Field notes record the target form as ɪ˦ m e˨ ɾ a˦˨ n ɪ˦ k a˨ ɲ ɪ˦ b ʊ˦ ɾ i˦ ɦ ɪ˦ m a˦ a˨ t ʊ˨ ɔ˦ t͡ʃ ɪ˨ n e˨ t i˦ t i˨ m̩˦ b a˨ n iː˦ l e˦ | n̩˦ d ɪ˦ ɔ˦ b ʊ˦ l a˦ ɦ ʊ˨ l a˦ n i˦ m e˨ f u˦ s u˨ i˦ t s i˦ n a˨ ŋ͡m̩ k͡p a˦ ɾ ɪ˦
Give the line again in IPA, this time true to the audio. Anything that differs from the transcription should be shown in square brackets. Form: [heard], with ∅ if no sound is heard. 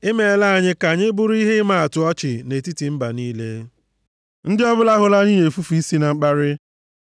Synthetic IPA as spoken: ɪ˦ m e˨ [l] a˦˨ [ɲ] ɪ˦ k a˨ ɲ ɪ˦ b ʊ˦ ɾ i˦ ɦ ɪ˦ m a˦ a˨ t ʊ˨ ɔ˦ t͡ʃ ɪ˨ n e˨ t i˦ t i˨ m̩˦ b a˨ n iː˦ l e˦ | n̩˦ d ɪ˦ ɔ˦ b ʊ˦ l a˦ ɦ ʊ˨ l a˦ n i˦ [ɲ] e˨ f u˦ [f] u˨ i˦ [∅] s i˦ n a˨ ŋ͡m̩ k͡p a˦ ɾ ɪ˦